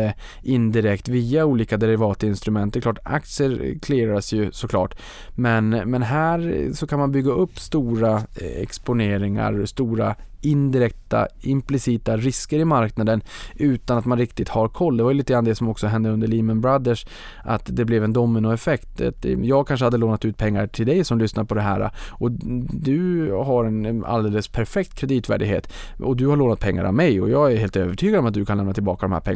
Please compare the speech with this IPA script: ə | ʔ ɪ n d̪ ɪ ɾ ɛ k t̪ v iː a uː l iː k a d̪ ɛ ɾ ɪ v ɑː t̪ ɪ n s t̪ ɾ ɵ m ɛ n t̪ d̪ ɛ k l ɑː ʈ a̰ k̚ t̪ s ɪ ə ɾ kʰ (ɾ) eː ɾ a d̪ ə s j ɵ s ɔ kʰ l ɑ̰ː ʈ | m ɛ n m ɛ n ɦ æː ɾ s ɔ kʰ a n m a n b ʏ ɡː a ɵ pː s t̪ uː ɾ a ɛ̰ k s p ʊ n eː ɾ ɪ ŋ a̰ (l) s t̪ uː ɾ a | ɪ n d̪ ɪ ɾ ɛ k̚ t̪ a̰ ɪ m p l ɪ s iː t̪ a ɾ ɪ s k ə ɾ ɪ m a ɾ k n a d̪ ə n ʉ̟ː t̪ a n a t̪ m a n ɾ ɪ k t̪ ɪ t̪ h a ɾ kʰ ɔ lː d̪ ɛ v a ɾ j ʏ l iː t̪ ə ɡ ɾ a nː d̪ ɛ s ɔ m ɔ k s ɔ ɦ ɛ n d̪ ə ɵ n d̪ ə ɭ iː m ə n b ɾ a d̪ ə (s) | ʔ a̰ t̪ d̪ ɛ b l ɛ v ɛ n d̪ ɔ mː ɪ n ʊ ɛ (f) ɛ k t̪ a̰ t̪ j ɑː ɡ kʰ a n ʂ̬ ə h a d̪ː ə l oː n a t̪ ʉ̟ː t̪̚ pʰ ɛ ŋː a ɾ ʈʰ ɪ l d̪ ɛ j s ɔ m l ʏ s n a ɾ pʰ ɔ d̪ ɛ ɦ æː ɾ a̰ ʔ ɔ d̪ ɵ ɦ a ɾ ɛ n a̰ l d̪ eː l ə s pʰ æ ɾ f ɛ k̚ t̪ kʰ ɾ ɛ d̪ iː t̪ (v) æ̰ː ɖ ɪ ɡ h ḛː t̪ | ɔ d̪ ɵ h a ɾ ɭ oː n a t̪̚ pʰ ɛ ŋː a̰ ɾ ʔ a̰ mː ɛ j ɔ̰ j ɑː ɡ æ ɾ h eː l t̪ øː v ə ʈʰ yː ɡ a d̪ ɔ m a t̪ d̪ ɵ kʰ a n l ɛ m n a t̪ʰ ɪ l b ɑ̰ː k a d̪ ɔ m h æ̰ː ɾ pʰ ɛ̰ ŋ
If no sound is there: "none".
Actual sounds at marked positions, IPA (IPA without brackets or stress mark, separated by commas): l, ɾ, ʂ, f, v